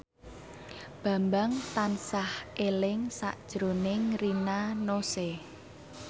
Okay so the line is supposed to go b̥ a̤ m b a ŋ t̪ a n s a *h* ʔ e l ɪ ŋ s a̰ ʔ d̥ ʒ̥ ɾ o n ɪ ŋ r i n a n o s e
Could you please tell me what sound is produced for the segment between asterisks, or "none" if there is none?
h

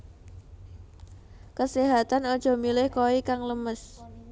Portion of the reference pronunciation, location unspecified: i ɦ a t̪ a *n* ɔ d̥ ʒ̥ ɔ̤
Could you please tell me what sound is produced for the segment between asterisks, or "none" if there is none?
n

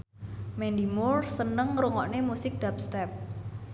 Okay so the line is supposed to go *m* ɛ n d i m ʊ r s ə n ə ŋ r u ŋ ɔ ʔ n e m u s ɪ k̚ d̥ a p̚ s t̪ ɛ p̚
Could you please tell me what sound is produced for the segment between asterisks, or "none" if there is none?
m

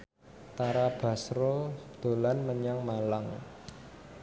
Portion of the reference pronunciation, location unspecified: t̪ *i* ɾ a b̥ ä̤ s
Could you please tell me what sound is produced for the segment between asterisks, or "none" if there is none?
a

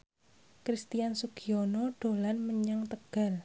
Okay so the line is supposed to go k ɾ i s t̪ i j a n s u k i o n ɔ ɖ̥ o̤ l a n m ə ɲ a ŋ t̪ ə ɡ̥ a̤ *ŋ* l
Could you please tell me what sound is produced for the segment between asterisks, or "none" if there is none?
none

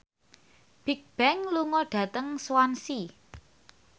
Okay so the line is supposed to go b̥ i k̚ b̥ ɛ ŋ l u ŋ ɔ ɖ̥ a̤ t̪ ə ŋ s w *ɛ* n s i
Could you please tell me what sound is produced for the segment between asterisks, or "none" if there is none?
a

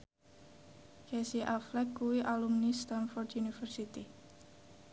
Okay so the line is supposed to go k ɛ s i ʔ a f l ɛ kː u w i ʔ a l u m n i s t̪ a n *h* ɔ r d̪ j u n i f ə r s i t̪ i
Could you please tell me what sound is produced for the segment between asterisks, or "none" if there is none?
f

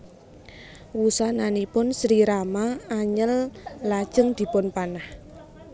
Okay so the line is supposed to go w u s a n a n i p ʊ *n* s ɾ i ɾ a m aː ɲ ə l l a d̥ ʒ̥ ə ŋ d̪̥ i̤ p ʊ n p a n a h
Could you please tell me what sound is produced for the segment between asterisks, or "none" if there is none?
n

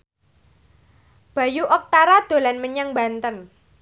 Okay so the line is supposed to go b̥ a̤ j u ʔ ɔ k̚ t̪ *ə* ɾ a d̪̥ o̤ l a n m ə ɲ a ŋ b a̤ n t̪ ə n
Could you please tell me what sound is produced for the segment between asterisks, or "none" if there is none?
a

